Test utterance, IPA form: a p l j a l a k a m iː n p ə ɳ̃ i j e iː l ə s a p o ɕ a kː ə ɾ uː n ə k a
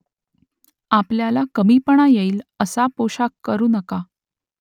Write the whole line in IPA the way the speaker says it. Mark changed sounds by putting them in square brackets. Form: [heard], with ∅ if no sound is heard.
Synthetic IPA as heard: a p l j a l a k [ə] m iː [∅] p ə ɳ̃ [a] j e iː l ə s a p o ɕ a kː ə ɾ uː n ə k a